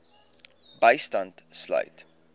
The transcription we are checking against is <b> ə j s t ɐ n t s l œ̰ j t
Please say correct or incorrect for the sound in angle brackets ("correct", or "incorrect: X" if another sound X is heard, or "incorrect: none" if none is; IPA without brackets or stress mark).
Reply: correct